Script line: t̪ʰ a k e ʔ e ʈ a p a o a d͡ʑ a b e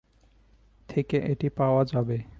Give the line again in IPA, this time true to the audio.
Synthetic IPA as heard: t̪ʰ e k e ʔ e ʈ i p a o a d͡ʑ a b e